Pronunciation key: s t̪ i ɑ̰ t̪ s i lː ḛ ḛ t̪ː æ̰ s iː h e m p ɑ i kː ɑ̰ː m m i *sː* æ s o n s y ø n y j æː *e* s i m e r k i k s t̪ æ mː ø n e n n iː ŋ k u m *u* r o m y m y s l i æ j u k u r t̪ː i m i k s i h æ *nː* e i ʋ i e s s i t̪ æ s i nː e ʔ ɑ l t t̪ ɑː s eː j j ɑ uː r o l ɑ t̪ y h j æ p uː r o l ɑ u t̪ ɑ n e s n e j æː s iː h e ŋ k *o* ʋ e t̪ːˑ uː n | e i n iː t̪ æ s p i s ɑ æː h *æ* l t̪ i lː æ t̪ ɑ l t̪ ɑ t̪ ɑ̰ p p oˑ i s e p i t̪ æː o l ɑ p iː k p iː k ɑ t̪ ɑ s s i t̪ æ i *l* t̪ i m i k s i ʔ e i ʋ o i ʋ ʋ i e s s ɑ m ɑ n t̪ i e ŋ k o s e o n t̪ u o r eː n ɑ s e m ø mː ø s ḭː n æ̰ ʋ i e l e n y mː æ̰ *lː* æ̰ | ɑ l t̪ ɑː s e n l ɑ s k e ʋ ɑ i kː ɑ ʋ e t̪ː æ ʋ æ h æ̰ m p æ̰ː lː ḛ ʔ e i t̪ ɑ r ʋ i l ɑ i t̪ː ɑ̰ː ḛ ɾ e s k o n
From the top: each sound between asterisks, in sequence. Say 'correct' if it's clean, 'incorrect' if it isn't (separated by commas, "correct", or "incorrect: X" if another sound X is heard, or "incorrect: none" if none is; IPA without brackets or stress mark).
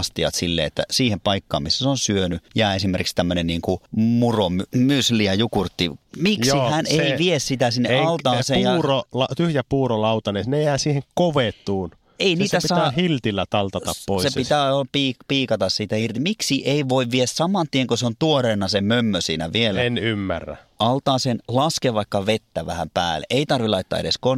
correct, correct, correct, incorrect: n, correct, incorrect: i, incorrect: r, incorrect: rː